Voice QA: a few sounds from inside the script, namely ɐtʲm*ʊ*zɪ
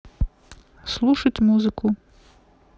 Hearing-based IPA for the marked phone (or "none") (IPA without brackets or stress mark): u